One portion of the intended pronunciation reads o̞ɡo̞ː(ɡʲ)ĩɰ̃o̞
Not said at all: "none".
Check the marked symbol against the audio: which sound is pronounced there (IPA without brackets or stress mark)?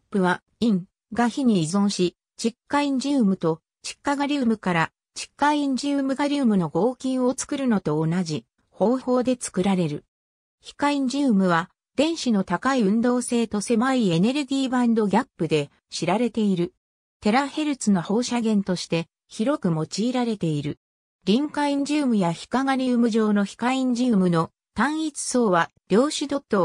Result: kʲ